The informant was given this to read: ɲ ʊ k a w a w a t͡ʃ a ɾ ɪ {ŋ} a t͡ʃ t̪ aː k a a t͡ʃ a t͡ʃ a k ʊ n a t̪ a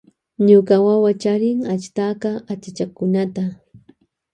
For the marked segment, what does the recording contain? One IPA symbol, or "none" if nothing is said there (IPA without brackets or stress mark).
ŋ